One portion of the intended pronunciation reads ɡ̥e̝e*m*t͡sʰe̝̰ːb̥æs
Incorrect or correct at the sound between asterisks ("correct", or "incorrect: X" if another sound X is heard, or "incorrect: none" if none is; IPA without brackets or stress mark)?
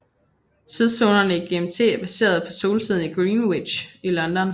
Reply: correct